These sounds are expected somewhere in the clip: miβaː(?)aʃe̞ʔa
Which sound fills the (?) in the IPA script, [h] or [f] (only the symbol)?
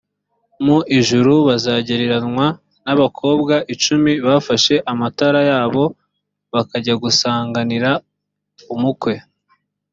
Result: f